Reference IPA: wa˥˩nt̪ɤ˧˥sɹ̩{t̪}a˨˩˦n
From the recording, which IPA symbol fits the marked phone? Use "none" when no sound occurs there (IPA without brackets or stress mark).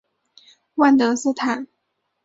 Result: t̪ʰ